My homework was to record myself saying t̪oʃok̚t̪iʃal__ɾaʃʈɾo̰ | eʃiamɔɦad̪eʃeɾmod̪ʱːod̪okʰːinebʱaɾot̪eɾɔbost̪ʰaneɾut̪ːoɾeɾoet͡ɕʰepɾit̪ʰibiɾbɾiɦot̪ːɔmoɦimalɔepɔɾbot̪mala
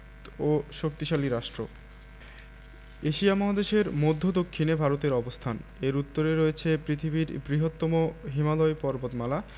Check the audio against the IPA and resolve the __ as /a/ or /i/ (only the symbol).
i